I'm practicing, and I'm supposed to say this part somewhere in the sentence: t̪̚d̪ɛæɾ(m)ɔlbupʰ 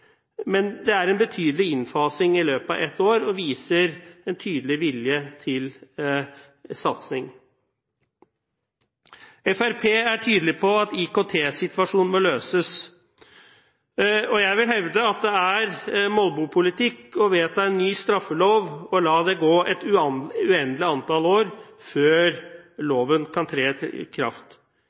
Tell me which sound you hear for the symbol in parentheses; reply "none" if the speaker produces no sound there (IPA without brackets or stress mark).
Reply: m